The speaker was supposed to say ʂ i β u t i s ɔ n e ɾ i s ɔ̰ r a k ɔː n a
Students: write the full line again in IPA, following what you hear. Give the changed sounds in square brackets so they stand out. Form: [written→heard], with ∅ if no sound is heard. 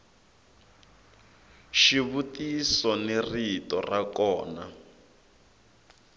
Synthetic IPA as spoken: [ʂ→ʃ] i β u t i s ɔ n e [ɾ→r] i [s→t] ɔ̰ r a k ɔː n a